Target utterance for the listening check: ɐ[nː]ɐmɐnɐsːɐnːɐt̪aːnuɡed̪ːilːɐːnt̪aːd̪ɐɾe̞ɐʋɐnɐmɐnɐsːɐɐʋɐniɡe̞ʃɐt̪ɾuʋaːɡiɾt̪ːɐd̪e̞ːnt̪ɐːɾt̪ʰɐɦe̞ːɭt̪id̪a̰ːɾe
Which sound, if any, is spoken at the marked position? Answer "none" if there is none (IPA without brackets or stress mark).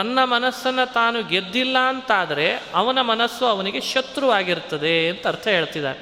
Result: nː